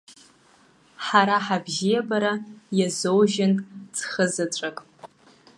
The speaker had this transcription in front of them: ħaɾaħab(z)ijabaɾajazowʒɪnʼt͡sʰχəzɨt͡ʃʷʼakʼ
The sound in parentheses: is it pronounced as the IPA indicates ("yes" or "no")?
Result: no